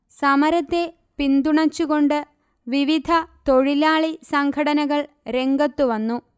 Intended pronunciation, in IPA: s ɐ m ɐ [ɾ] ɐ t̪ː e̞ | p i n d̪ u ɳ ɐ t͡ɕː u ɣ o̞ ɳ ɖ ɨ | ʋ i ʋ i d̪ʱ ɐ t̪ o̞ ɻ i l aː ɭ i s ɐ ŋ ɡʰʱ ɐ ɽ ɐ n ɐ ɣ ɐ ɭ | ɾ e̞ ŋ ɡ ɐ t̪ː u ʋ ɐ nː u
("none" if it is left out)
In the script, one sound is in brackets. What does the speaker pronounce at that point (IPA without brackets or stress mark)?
ɾ